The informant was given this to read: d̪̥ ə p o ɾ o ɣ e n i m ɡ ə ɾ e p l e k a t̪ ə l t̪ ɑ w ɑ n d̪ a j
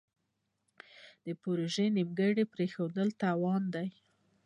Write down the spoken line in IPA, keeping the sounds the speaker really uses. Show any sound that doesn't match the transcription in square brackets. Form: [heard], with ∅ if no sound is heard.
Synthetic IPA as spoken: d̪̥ ə p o ɾ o [ʒ] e n i m ɡ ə [ɽ] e p [ɾ] e [x] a [d̪] ə l t̪ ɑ w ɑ n d̪ a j

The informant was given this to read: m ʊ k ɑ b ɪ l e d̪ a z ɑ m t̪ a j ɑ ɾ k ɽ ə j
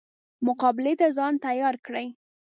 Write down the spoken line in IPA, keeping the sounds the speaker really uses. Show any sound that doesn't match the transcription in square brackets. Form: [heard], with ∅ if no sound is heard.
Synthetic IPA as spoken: m ʊ [q] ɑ b ɪ l e [t̪] a z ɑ [n] t̪ a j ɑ ɾ k ɽ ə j

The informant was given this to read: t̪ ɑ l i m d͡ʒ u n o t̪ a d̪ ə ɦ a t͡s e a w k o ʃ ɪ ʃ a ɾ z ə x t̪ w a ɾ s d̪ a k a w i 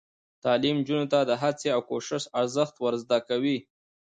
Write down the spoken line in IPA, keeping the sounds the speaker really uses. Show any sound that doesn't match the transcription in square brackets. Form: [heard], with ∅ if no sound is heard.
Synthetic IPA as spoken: t̪ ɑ l i m d͡ʒ u n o t̪ a d̪ ə ɦ a t͡s e a w k o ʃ ɪ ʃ a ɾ z ə x t̪ w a ɾ [z] d̪ a k a w i

